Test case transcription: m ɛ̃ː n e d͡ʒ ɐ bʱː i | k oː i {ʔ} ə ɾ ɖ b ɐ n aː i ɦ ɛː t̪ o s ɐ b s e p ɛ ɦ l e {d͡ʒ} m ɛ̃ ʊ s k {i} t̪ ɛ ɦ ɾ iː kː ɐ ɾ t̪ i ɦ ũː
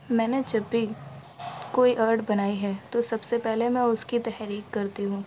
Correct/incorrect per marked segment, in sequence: correct, incorrect, correct

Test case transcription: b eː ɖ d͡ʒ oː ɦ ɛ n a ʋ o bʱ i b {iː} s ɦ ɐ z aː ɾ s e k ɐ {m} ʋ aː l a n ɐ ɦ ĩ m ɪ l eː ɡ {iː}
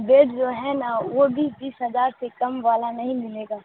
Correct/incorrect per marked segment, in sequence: correct, correct, incorrect

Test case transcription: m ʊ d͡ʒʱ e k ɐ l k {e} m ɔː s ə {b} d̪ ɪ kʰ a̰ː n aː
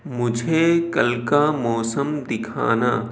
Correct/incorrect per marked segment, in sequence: incorrect, incorrect

